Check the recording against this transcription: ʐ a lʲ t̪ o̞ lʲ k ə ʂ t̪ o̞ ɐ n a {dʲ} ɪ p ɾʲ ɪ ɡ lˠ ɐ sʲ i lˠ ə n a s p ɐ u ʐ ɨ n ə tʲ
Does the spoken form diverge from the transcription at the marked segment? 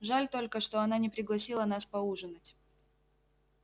yes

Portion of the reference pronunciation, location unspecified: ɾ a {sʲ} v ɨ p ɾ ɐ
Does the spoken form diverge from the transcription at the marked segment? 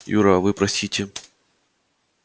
yes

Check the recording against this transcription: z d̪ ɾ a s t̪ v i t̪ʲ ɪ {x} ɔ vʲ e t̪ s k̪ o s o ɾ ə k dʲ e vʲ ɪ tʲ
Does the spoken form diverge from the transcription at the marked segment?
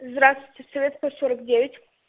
yes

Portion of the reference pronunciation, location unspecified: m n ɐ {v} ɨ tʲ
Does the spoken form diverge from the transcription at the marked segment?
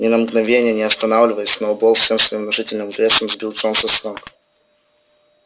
yes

